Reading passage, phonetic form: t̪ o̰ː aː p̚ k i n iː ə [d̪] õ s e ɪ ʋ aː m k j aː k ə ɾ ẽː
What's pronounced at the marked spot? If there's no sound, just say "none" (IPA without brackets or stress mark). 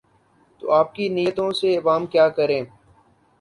t̪